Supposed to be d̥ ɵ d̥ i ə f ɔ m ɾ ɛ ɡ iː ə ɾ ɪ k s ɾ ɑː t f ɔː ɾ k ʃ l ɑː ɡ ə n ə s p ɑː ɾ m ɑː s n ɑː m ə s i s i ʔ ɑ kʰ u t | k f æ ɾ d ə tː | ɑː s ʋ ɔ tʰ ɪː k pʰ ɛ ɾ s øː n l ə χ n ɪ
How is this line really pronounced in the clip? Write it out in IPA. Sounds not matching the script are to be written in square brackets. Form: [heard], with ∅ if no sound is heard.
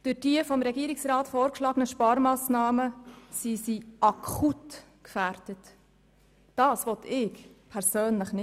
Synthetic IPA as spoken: d̥ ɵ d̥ i ə f ɔ m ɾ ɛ ɡ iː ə ɾ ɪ k s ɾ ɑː t f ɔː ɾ k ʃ l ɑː ɡ ə n ə [ʃ] p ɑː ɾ m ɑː s n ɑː m ə s i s i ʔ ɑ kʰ u t | k f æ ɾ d ə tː | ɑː s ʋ ɔ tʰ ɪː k pʰ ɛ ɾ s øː n l ə χ n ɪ